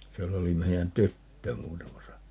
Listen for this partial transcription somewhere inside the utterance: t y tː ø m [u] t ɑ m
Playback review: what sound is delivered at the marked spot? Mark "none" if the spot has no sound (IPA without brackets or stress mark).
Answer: uː